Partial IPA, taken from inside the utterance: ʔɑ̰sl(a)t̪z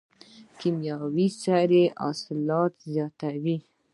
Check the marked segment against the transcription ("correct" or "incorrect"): incorrect